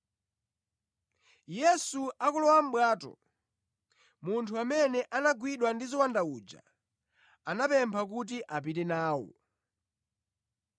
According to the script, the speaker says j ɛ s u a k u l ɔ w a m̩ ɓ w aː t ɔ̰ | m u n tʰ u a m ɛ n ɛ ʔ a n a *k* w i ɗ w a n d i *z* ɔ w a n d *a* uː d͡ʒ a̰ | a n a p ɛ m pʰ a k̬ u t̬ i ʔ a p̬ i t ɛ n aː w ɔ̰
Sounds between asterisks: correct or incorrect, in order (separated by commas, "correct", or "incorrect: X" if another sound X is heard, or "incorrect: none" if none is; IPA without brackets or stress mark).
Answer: incorrect: ɡ, correct, correct